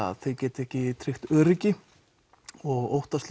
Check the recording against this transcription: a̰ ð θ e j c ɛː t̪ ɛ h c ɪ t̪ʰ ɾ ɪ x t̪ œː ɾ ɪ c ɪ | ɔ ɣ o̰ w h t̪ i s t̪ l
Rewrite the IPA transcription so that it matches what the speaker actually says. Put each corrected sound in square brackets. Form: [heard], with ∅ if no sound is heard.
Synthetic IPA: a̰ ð θ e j c ɛː t̪ ɛ h c ɪ t̪ʰ ɾ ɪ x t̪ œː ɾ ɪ c ɪ | ɔ ɣ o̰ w h t̪ [a] s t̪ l